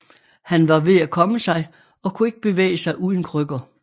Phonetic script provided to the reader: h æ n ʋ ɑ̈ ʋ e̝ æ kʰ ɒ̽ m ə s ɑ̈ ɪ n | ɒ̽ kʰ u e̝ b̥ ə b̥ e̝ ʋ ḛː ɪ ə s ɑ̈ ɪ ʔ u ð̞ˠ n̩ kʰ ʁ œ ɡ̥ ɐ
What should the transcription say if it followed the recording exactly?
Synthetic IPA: h æ n ʋ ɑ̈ ʋ e̝ æ kʰ ɒ̽ m ə s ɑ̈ ɪ | ɒ̽ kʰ u e̝ ɡ̥ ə b̥ e̝ ʋ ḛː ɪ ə s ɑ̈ ɪ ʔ u ð̞ˠ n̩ kʰ ʁ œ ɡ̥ ɐ

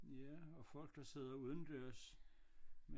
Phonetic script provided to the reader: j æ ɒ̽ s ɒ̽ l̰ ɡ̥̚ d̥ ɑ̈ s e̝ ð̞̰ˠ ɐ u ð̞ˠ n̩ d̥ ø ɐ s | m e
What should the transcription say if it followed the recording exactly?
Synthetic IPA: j æ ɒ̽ f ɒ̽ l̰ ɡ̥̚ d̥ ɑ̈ s e̝ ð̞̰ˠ ɐ u ð̞ˠ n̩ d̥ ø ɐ s | m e

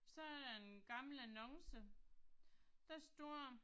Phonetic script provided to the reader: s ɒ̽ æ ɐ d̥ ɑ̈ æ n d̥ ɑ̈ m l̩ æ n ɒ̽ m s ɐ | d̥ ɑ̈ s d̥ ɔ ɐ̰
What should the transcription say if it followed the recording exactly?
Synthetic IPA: s ɒ̽ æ ɐ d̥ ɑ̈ e n ɡ̥ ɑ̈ m l̩ æ n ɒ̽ ŋ s ə | d̥ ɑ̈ s d̥ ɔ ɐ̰

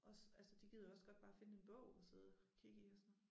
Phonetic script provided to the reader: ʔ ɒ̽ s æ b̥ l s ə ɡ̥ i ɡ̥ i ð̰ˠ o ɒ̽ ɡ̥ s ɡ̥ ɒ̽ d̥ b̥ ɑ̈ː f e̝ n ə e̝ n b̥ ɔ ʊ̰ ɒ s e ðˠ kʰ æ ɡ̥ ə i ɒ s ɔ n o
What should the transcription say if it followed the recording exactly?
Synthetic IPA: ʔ ɒ̽ s æ l s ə d̥ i ɡ̥ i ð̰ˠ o ɒ̽ s ɡ̥ ɒ̽ d̥ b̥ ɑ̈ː f e̝ n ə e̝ n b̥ ɔ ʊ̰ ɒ s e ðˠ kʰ i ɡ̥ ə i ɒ s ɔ n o

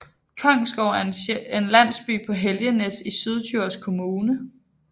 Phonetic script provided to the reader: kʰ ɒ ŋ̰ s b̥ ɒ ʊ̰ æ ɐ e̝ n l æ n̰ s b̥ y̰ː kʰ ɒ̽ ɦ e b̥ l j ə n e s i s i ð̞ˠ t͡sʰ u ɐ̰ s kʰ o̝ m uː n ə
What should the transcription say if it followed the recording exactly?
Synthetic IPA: kʰ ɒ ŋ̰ s ɡ̥ ɒ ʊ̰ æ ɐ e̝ n l æ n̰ s b̥ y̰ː pʰ ɒ̽ ɦ e l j ə n e s i s y ð̞ˠ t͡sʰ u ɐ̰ s kʰ o̝ m uː n ə

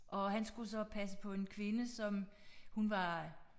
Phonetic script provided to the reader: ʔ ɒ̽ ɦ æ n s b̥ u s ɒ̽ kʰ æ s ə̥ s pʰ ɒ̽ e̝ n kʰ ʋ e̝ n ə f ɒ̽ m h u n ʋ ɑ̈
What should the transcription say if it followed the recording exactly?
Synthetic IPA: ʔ ɒ̽ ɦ æ n s ɡ̥ u s ɒ̽ pʰ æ s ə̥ pʰ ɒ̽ e̝ n kʰ ʋ e̝ n ə s ɒ̽ m h u n ʋ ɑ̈

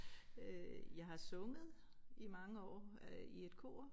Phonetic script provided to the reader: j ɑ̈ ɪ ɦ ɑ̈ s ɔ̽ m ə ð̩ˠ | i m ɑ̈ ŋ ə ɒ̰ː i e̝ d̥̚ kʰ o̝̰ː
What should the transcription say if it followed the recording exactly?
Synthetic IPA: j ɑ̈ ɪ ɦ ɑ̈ s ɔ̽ ŋ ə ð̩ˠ | i m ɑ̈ ŋ ə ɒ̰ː i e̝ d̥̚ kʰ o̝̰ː

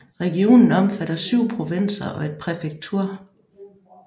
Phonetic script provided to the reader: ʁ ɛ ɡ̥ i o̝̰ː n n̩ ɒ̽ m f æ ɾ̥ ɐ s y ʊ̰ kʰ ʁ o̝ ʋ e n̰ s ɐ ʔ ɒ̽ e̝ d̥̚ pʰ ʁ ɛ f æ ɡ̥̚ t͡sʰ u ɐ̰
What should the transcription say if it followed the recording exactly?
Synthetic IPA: ʁ ɛ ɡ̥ i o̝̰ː n n̩ ɒ̽ m f æ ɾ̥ ɐ s y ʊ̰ pʰ ʁ o̝ ʋ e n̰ s ɐ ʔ ɒ̽ e̝ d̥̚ pʰ ʁ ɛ f e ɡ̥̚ t͡sʰ u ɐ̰

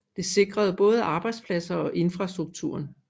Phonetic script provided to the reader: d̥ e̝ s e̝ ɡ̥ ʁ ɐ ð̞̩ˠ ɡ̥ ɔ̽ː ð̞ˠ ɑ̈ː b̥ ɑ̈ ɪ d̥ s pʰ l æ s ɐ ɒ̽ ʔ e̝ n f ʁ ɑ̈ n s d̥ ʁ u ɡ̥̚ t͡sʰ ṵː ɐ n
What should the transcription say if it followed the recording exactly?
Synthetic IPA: d̥ e̝ s e̝ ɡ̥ ʁ ɐ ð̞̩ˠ b̥ ɔ̽ː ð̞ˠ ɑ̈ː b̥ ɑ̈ ɪ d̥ s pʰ l æ s ɐ ɒ̽ ʔ e̝ n f ʁ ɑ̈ s d̥ ʁ u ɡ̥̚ t͡sʰ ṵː ɐ n

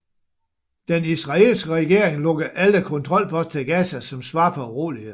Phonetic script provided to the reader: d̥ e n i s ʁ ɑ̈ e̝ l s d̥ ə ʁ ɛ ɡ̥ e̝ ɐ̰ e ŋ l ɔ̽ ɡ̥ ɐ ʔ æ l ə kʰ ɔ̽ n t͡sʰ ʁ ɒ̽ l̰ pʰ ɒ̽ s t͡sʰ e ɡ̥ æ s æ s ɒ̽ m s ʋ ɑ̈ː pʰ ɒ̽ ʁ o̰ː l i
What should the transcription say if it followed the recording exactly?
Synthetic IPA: d̥ e n i s ʁ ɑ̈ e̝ l s ɡ̥ ə ʁ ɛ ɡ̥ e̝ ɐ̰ e ŋ l ɔ̽ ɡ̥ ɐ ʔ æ l ə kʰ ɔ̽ n t͡sʰ ʁ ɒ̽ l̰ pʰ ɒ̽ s t͡sʰ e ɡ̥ æ s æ s ɒ̽ m s ʋ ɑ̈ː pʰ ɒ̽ ʁ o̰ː l i

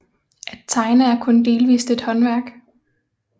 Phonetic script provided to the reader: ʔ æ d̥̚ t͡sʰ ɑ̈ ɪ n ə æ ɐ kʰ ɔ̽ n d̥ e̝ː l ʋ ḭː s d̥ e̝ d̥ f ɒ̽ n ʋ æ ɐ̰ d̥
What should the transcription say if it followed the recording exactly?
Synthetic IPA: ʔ æ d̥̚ t͡sʰ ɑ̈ ɪ n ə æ ɐ kʰ ɔ̽ n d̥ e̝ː l ʋ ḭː s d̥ e̝ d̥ h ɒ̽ n ʋ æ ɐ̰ ɡ̥

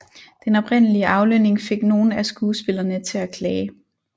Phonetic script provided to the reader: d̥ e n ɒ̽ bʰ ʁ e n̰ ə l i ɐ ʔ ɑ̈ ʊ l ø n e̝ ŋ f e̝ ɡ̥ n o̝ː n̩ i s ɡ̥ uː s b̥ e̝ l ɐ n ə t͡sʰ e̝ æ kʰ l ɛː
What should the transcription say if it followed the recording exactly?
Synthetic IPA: d̥ e n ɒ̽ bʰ ʁ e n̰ ə l i ə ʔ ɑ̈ ʊ l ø n e̝ ŋ f e̝ ɡ̥ n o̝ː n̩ æ s ɡ̥ uː s b̥ e̝ l ɐ n ə t͡sʰ e̝ æ kʰ l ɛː

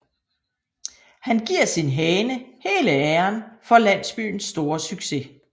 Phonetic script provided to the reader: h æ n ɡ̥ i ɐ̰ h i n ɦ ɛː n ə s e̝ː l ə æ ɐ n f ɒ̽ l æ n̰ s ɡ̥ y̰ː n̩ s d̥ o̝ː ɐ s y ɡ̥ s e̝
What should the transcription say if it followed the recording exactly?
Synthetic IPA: h æ n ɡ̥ i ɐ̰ s i n ɦ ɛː n ə h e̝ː l ə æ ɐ n f ɒ̽ l æ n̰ s b̥ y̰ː n̩ s d̥ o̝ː ɐ s y ɡ̥ s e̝

